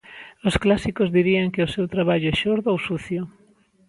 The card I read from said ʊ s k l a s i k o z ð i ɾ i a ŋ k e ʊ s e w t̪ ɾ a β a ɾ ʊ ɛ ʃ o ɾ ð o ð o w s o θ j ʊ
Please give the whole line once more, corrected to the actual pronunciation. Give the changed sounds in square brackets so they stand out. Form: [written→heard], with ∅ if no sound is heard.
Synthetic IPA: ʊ s k l a s i k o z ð i ɾ i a ŋ k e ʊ s e w t̪ ɾ a β a [ɾ→ʎ] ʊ ɛ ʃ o ɾ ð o [ð→∅] o w s [o→u] θ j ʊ